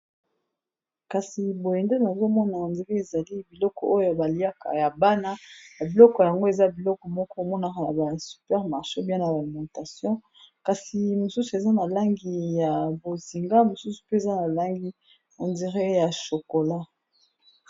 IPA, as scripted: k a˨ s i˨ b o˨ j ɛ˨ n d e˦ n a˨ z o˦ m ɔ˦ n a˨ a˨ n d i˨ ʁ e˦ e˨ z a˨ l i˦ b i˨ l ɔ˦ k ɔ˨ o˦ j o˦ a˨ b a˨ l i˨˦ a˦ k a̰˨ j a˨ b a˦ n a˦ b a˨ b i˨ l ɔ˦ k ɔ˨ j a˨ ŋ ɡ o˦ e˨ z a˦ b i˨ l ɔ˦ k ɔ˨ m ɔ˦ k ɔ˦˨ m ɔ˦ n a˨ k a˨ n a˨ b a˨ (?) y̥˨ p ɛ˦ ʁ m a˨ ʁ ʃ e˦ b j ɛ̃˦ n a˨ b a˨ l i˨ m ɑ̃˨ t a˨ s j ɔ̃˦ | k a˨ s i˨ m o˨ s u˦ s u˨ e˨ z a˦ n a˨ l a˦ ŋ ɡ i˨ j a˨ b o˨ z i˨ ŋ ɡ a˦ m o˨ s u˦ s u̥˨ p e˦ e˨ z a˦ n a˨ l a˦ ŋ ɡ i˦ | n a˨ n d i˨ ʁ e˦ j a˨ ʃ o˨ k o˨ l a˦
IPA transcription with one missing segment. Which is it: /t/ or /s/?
s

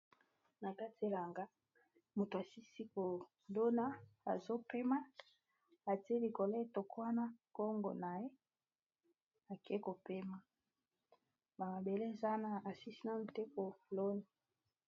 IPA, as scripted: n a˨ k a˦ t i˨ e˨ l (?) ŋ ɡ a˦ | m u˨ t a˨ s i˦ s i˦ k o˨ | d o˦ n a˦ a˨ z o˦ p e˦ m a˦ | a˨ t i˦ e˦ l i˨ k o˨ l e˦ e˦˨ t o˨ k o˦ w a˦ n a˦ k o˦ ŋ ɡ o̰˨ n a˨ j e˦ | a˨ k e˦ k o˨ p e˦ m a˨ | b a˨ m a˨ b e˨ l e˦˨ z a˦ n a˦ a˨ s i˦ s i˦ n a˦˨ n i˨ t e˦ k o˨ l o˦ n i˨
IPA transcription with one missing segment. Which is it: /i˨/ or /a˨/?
a˨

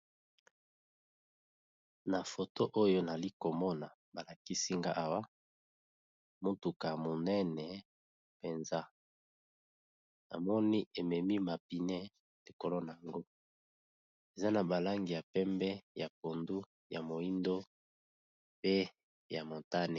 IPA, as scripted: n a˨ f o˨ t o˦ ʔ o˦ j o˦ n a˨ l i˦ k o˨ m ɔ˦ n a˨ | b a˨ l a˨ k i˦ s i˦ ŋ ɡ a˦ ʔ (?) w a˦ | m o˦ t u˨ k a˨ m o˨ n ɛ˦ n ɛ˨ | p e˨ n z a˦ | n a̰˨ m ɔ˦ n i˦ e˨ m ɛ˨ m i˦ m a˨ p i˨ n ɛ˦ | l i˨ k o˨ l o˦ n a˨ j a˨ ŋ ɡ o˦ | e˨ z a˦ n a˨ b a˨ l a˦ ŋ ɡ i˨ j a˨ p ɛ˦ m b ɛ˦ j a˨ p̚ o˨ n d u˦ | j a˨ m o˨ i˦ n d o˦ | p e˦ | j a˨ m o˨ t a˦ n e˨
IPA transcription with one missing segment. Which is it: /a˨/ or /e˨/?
a˨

